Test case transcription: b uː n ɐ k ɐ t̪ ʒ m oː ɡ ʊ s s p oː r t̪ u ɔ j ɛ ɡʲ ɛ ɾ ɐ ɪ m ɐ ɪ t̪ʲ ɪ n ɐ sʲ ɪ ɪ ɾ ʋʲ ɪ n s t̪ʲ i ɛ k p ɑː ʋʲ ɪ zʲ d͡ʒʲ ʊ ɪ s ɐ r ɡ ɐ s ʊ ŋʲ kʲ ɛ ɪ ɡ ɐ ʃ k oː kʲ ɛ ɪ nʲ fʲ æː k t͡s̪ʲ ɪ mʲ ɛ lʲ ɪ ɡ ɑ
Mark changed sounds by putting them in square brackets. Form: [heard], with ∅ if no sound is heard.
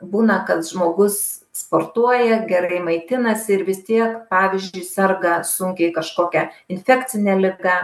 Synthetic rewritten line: b uː n ɐ k ɐ t̪ ʒ m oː ɡ ʊ s s p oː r t̪ u ɔ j ɛ ɡʲ ɛ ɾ ɐ ɪ m ɐ ɪ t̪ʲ ɪ n ɐ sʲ ɪ ɪ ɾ ʋʲ ɪ [∅] s t̪ʲ i ɛ k p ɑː ʋʲ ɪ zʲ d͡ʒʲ ʊ ɪ s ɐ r ɡ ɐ s ʊ ŋʲ kʲ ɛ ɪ [k] ɐ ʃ k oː kʲ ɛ ɪ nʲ fʲ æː k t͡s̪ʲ ɪ [nʲ] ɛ lʲ ɪ ɡ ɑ